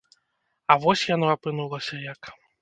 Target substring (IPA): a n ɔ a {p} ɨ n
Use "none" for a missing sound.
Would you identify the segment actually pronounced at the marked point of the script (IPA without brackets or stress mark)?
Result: p